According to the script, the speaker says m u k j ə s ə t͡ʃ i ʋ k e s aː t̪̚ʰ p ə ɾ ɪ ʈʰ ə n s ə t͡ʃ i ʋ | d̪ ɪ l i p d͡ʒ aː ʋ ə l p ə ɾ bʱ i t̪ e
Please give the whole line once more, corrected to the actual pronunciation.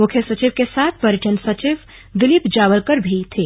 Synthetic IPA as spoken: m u kʰ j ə s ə t͡ʃ i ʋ k e s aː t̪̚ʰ p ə ɾ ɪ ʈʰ ə n s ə t͡ʃ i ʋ | d̪ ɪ l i p d͡ʒ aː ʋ ə l k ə ɾ bʱ i t̪ʰ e

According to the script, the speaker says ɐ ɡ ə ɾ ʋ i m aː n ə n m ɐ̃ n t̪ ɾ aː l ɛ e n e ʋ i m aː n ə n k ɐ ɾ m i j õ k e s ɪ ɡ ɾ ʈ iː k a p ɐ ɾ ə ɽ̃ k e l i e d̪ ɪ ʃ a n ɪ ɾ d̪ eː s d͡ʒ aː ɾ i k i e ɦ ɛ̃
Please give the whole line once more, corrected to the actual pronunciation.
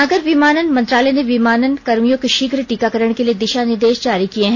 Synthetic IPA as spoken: ɐ ɡ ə ɾ ʋ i m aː n ə n m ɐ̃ n t̪ ɾ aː l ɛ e n e ʋ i m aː n ə n k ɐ ɾ m i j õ k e ʃ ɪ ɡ ɾ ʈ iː k a k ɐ ɾ ə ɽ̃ k e l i e d̪ ɪ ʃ a n ɪ ɾ d̪ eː ʃ d͡ʒ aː ɾ i k i e ɦ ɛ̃

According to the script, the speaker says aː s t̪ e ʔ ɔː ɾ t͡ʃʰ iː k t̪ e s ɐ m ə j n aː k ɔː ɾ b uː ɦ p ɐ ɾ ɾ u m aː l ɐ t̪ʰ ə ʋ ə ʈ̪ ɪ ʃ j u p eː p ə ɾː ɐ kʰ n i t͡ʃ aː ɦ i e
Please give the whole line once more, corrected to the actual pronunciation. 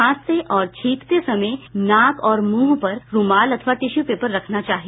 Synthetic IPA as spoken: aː s t̪ e ʔ ɔː ɾ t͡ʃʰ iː k t̪ e s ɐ m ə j n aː k ɔː ɾ m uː ɦ p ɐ ɾ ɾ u m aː l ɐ t̪ʰ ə ʋ a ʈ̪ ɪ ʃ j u p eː p ə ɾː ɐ kʰ n a t͡ʃ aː ɦ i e

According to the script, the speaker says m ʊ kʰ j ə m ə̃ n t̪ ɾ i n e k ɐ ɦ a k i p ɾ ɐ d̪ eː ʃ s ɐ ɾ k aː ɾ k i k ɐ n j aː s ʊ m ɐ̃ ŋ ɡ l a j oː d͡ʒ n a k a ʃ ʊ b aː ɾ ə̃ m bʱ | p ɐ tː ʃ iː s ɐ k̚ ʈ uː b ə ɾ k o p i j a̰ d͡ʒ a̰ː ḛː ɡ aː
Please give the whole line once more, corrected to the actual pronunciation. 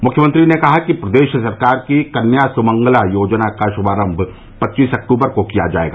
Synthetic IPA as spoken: m ʊ kʰ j ə m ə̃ n t̪ ɾ i n e k ɐ ɦ a k i p ɾ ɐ d̪ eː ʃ s ɐ ɾ k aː ɾ k i k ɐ n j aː s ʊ m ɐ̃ ŋ ɡ l a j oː d͡ʒ n a k a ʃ ʊ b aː ɾ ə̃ m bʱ | p ɐ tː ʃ iː s ɐ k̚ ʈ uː b ə ɾ k o k i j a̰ d͡ʒ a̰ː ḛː ɡ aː

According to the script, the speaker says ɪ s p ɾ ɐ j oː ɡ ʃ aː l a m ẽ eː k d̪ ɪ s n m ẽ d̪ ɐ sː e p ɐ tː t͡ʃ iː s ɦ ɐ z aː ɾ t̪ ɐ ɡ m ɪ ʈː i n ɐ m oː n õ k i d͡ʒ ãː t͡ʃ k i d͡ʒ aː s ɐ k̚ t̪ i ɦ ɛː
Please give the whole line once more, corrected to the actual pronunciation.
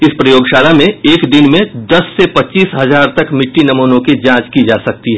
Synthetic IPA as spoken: ɪ s p ɾ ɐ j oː ɡ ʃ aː l a m ẽ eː k d̪ ɪ n m ẽ d̪ ɐ sː e p ɐ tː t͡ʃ iː s ɦ ɐ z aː ɾ t̪ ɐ k m ɪ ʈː i n ɐ m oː n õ k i d͡ʒ ãː t͡ʃ k i d͡ʒ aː s ɐ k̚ t̪ i ɦ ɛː

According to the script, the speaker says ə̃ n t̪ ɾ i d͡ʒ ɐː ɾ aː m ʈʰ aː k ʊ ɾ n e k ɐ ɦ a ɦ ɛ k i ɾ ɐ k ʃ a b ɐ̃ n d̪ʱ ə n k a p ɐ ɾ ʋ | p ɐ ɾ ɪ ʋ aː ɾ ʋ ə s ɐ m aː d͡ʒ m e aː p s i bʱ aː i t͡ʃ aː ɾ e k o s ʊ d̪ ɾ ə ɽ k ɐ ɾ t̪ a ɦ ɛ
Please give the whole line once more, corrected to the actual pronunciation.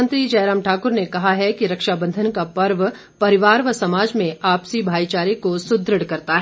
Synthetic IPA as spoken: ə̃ n t̪ ɾ i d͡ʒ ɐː ɾ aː m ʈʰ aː k ʊ ɾ n e k ɐ ɦ a ɦ ɛ k i ɾ ɐ k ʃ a b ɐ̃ n d̪ʱ ə n k a p ɐ ɾ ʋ | p ɐ ɾ ɪ ʋ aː ɾ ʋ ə s ɐ m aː d͡ʒ m ẽ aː p s i bʱ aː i t͡ʃ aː ɾ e k o s ʊ d̪ ɾ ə ɽ k ɐ ɾ t̪ a ɦ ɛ

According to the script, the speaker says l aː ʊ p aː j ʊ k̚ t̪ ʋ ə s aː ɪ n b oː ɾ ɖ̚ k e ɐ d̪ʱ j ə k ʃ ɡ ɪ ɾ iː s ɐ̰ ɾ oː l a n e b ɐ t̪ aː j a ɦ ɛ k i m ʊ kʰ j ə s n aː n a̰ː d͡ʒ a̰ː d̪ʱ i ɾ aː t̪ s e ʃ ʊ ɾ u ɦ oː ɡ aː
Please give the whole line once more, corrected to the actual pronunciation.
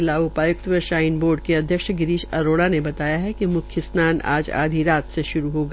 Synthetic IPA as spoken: l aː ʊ p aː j ʊ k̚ t̪ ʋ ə ʃ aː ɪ n b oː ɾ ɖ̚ k e ɐ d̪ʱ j ə k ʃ ɡ ɪ ɾ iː ʃ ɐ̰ ɾ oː ɽ a n e b ɐ t̪ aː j a ɦ ɛ k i m ʊ kʰ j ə s n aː n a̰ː d͡ʒ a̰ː d̪ʱ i ɾ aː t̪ s e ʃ ʊ ɾ u ɦ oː ɡ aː

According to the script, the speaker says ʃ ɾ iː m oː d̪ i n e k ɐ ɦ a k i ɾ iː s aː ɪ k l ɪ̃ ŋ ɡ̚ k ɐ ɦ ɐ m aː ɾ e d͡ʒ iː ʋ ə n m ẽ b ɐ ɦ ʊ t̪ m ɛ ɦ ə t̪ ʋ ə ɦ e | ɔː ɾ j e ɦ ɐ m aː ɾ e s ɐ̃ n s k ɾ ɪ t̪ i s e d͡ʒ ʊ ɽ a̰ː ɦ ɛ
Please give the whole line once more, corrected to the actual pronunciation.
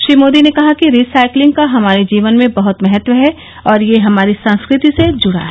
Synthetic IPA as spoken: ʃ ɾ iː m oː d̪ i n e k ɐ ɦ a k i ɾ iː s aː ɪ k l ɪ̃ ŋ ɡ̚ k a ɦ ɐ m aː ɾ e d͡ʒ iː ʋ ə n m ẽ b ɐ ɦ ʊ t̪ m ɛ ɦ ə t̪ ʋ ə ɦ ɛ | ɔː ɾ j e ɦ ɐ m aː ɾ i s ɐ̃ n s k ɾ ɪ t̪ i s e d͡ʒ ʊ ɽ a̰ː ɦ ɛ

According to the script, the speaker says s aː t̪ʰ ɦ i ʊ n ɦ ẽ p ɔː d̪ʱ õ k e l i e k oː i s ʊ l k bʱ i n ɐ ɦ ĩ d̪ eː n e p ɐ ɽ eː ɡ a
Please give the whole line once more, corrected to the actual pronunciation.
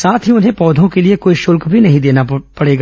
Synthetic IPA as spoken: s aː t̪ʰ ɦ i ʊ n ɦ ẽ p ɔː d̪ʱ õ k e l i e k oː i ʃ ʊ l k bʱ i n ɐ ɦ ĩ d̪ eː n a p ɐ ɽ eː ɡ a

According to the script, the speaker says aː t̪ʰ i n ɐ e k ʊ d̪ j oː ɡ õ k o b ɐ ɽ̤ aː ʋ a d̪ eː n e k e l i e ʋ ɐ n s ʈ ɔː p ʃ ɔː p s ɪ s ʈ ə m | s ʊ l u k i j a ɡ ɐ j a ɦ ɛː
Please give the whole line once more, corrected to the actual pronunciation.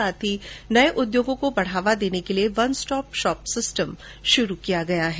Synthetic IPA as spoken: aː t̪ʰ i n ɐ e ʔ ʊ d̪ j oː ɡ õ k o b ɐ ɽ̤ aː ʋ a d̪ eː n e k e l i e ʋ ɐ n s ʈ ɔː p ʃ ɔː p s ɪ s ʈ ə m | ʃ ʊ ɾ u k i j a ɡ ɐ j a ɦ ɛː

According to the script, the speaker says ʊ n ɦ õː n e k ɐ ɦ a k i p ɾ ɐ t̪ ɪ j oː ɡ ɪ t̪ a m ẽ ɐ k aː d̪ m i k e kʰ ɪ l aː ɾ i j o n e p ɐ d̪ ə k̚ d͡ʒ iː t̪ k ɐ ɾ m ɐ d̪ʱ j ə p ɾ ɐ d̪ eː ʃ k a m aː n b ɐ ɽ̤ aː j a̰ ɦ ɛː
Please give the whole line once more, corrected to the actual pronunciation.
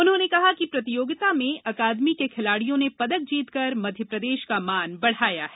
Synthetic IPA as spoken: ʊ n ɦ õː n e k ɐ ɦ a k i p ɾ ɐ t̪ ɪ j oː ɡ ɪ t̪ a m ẽ ɐ k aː d̪ m i k e kʰ ɪ l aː ɽ i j õ n e p ɐ d̪ ə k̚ d͡ʒ iː t̪ k ɐ ɾ m ɐ d̪ʱ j ə p ɾ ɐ d̪ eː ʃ k a m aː n b ɐ ɽ̤ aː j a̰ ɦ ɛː

